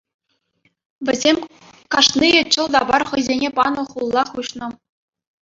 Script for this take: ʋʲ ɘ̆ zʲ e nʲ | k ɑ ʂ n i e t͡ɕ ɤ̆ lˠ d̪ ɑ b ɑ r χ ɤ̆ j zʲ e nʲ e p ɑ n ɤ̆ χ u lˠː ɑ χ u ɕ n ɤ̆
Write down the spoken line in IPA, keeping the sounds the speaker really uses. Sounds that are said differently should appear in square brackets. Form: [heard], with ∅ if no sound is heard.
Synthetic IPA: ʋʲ ɘ̆ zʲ e [mʲ] | k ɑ ʂ n i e t͡ɕ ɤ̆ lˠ d̪ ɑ b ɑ r χ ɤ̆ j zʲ e nʲ e p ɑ n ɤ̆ χ u lˠː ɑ χ u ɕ n ɤ̆